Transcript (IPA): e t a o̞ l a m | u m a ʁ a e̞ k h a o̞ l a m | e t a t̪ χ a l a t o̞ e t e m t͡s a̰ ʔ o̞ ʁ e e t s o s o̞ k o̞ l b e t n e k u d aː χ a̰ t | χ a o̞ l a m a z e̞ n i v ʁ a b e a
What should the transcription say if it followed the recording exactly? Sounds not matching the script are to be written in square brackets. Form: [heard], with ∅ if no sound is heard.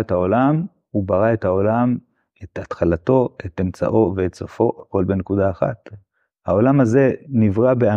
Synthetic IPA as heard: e t a o̞ l a m | u [b] a ʁ a e̞ [t] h a o̞ l a m | e t a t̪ χ a l a t o̞ e t e m t͡s a̰ ʔ o̞ [v] e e t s o [f] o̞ k o̞ l b e [∅] n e k u d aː χ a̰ t | [h] a o̞ l a m a z e̞ n i v ʁ a b e a